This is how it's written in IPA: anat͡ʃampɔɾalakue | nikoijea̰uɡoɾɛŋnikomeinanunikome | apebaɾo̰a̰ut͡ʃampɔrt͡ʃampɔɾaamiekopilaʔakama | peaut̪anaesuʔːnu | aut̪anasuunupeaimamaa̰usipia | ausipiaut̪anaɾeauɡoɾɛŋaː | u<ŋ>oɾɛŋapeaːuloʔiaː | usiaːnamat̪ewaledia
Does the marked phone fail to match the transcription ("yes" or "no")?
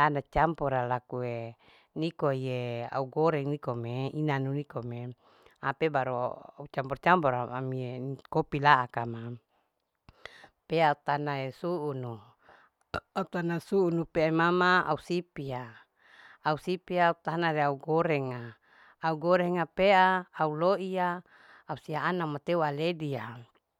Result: yes